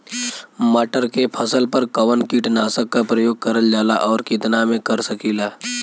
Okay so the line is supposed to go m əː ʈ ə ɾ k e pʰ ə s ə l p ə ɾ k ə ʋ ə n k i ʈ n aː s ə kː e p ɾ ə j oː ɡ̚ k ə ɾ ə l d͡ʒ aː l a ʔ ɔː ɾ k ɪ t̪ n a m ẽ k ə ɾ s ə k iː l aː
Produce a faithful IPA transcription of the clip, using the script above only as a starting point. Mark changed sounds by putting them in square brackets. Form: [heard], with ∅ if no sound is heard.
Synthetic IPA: m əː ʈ ə ɾ k e pʰ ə s ə l p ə ɾ k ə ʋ ə n k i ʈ n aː s ə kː [a] p ɾ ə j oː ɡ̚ k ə ɾ ə l d͡ʒ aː l a ʔ ɔː ɾ k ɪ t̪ n a m ẽ k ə ɾ s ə k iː l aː

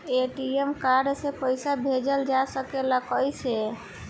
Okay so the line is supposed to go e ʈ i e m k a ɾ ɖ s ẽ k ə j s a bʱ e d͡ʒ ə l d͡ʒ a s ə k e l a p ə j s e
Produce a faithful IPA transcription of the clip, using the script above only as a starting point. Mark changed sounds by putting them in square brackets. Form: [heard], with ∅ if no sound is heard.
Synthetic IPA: e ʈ i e m k a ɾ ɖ s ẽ [p] ə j s a bʱ e d͡ʒ ə l d͡ʒ a s ə k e l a [k] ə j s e

